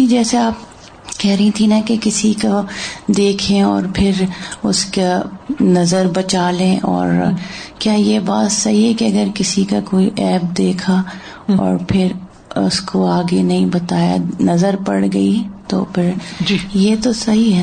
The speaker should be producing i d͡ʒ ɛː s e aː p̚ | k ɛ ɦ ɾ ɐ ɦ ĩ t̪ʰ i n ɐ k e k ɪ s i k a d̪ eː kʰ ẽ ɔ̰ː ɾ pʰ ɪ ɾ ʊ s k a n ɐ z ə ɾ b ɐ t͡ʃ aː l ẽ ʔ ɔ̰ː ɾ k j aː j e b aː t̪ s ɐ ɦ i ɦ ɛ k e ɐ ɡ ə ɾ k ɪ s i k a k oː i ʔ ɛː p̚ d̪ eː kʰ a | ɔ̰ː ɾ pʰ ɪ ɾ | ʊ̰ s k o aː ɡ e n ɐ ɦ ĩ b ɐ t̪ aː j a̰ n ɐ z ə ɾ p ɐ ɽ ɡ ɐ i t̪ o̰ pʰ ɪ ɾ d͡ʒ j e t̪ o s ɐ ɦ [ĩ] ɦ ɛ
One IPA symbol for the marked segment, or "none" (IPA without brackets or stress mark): i